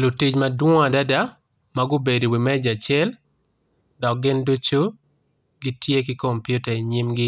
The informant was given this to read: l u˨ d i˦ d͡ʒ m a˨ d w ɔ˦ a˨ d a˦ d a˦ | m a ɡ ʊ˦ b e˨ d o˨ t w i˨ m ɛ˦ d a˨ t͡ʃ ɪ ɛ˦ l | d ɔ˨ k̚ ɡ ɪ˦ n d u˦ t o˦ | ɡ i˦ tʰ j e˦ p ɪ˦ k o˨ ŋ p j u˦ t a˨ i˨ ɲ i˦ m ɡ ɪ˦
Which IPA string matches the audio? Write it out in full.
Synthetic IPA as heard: l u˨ t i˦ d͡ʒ m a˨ d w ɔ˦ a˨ d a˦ d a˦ | m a ɡ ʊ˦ b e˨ d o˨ w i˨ m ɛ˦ d͡ʒ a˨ t͡ʃ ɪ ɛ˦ l | d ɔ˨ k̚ ɡ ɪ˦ n d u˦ t͡ʃ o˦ | ɡ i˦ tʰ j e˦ k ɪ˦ k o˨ m p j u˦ t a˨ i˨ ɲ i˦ m ɡ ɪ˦